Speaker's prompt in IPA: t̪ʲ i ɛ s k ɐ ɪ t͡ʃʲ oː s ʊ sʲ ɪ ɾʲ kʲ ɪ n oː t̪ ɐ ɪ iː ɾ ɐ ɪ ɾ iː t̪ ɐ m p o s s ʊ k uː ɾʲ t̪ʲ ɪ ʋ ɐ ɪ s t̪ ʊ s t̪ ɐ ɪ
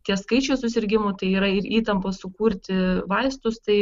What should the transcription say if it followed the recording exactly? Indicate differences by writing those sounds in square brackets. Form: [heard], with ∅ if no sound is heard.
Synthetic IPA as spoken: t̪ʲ i ɛ s k ɐ ɪ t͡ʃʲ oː s ʊ sʲ ɪ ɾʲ [ɡʲ] ɪ [m] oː t̪ ɐ ɪ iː ɾ ɐ ɪ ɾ iː t̪ ɐ m p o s s ʊ k uː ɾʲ t̪ʲ ɪ ʋ ɐ ɪ s t̪ ʊ s t̪ ɐ ɪ